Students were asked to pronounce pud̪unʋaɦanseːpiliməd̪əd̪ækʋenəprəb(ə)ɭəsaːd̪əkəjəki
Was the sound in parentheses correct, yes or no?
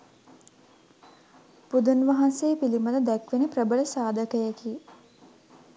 yes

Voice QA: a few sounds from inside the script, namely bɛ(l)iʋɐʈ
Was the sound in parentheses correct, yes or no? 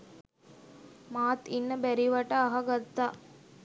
no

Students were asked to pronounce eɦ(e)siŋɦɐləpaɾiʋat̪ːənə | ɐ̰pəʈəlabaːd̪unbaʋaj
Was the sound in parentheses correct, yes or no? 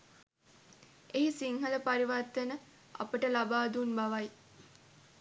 no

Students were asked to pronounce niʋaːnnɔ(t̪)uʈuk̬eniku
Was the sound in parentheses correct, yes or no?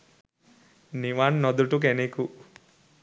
no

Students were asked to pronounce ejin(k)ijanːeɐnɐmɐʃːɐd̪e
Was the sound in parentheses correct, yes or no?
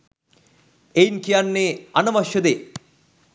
yes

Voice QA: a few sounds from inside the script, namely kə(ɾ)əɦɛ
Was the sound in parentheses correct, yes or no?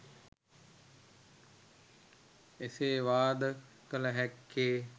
no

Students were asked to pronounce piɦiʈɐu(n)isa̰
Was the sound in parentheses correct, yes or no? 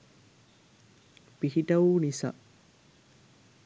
yes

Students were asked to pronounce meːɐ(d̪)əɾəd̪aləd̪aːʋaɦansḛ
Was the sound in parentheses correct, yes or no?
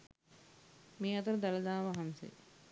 no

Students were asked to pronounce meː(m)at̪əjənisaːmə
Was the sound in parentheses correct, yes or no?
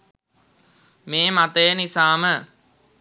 yes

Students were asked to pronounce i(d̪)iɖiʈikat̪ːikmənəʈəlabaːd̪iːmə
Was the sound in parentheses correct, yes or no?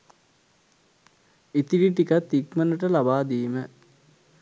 no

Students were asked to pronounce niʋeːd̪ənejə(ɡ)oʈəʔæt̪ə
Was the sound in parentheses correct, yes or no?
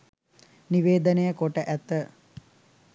no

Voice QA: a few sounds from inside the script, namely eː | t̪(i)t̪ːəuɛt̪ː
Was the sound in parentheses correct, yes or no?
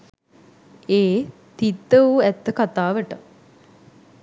yes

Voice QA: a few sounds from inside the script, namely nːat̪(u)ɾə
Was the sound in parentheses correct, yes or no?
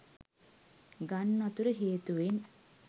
yes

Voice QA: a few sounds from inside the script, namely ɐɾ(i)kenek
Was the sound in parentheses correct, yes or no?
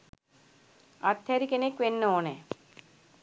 yes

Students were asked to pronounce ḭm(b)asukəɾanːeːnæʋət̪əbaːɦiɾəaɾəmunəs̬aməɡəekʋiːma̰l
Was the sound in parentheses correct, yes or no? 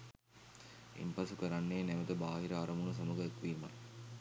no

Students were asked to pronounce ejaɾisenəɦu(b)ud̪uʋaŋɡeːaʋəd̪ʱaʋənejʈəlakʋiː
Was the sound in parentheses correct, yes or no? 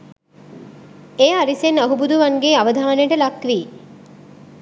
yes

